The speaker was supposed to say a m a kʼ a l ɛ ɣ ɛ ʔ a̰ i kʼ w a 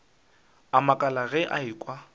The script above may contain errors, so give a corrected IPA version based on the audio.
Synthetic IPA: a m a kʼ a l a ɣ ɛ ʔ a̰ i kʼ w a